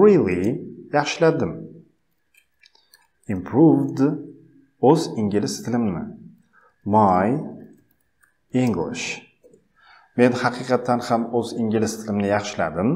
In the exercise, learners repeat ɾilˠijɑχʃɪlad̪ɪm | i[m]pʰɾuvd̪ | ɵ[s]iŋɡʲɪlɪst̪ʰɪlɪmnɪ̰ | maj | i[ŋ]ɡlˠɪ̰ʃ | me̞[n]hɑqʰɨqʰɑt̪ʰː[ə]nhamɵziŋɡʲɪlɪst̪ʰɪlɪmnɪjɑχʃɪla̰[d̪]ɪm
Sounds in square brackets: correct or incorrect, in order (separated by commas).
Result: correct, incorrect, correct, correct, incorrect, correct